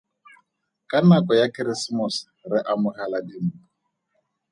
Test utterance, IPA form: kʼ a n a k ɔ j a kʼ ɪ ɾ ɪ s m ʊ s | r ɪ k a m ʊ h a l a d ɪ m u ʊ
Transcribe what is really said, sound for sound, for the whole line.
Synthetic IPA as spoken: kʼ a n a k ɔ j a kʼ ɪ ɾ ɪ s m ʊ s | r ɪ ʔ a m ʊ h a l a d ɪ m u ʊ